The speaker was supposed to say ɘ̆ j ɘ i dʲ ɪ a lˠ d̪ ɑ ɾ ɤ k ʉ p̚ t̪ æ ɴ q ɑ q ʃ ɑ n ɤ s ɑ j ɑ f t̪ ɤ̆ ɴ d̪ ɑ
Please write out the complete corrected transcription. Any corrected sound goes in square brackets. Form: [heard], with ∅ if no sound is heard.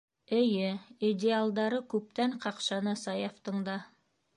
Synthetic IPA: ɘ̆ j ɘ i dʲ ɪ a lˠ d̪ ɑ ɾ ɤ k ʉ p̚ t̪ æ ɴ q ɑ q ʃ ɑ n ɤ s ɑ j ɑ f t̪ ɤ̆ ɴ d̪ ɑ